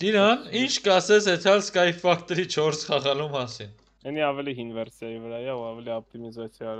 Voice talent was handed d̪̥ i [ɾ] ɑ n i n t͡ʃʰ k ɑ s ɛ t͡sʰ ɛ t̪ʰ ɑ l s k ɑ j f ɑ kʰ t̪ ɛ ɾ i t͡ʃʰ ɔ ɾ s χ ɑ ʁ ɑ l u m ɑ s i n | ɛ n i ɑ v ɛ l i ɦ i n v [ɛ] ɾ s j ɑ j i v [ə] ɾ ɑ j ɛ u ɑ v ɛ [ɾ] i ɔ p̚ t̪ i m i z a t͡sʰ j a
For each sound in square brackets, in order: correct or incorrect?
correct, correct, correct, incorrect: l

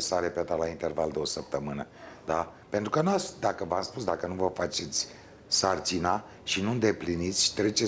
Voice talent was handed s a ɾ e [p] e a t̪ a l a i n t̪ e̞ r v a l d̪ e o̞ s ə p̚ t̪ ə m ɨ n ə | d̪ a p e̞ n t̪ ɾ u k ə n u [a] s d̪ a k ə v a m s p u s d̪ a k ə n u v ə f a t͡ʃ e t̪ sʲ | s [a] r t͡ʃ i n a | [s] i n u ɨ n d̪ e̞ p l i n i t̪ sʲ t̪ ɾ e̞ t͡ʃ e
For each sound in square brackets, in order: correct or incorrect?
correct, correct, correct, incorrect: ʃ

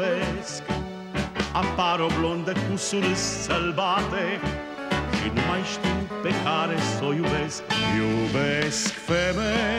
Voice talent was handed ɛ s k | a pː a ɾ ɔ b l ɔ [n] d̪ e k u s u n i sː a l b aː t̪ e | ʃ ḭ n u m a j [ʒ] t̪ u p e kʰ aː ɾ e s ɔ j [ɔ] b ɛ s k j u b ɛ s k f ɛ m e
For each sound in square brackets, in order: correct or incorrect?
correct, incorrect: ʃ, incorrect: u

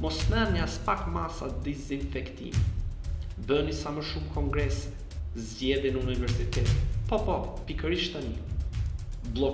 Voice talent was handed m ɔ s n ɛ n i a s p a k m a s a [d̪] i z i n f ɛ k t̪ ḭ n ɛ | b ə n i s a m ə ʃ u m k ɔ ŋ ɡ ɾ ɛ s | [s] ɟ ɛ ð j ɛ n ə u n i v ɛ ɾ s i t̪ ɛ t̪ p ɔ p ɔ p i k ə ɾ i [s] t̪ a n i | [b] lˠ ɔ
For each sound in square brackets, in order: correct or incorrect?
correct, incorrect: z, incorrect: ʃ, correct

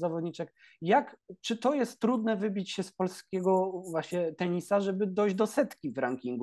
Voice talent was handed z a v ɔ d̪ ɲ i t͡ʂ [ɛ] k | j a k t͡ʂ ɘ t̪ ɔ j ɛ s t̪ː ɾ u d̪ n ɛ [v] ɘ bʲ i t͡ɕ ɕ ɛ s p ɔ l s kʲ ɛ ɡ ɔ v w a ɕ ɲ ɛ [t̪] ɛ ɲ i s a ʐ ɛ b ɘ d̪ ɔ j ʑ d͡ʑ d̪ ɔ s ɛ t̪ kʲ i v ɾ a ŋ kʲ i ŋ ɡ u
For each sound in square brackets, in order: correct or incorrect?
correct, correct, correct

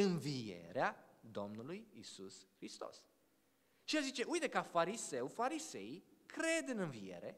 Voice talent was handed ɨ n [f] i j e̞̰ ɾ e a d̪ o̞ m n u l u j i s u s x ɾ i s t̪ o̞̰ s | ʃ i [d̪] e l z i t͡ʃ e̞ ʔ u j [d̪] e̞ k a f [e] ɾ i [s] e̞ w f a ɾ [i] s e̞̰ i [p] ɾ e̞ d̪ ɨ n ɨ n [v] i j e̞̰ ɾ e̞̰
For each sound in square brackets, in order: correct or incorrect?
incorrect: v, incorrect: none, incorrect: t̪, incorrect: a, correct, correct, incorrect: k, correct

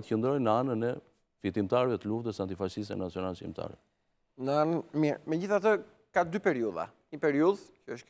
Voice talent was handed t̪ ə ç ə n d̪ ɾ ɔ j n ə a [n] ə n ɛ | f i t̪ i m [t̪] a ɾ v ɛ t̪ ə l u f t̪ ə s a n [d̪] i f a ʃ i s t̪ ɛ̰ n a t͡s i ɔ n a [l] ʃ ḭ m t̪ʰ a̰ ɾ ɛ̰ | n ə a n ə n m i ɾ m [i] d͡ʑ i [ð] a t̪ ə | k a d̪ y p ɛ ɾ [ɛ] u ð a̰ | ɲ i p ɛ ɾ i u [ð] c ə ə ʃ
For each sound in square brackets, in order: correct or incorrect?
correct, correct, incorrect: t̪, correct, incorrect: ɛ, incorrect: θ, incorrect: i, correct

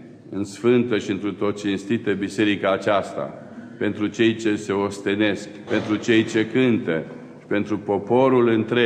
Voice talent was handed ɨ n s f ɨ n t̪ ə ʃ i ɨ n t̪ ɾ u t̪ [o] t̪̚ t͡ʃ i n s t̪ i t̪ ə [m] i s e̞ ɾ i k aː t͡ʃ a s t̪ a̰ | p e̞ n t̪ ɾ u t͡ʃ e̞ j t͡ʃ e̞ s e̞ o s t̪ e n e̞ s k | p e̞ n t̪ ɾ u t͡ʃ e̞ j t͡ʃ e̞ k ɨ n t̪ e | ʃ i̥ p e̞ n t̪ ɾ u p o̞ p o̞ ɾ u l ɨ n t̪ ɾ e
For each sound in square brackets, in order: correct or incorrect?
correct, incorrect: b

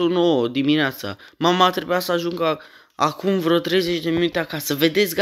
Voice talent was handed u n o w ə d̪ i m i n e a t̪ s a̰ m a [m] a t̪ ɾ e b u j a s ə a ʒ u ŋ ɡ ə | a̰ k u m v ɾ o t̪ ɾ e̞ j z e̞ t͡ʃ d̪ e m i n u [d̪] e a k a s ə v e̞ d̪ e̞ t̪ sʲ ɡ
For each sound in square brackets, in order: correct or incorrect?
correct, incorrect: t̪

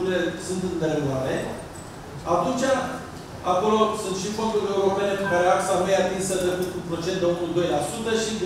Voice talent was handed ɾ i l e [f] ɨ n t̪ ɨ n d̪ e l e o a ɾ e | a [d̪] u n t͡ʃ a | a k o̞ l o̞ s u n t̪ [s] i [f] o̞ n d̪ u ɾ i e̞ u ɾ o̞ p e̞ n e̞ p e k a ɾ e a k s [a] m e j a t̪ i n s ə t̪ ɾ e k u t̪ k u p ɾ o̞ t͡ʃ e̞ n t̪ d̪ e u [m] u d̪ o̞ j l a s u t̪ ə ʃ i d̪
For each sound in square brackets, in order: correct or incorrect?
incorrect: s, incorrect: t̪, incorrect: ʃ, correct, correct, incorrect: n

